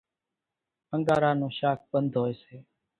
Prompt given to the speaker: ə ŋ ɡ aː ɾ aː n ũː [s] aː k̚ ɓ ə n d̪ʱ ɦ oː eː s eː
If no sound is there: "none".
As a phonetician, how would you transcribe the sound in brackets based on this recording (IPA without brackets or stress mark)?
ʃ